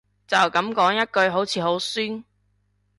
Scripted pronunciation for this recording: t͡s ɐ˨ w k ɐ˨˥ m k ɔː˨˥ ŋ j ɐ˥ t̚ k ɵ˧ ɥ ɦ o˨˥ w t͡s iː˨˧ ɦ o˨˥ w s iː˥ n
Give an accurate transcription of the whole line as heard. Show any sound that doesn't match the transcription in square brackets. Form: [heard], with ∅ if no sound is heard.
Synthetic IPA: t͡s ɐ˨ w k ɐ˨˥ m k ɔː˨˥ ŋ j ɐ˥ t̚ k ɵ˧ ɥ ɦ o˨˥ w [t͡sʰ] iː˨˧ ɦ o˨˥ w s [yː˥] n